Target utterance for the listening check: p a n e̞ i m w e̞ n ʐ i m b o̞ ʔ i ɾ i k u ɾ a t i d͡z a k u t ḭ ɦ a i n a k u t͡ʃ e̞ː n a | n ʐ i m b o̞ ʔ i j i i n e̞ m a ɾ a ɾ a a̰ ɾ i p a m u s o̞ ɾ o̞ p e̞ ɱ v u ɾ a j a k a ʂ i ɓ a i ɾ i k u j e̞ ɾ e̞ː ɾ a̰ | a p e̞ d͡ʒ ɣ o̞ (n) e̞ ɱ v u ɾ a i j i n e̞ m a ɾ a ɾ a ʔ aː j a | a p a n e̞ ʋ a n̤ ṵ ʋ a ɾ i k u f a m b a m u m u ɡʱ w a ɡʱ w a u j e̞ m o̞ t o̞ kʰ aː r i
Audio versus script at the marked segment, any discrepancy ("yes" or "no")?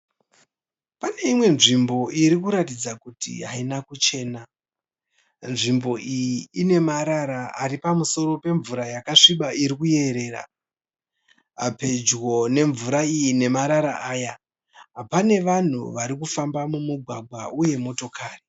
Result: no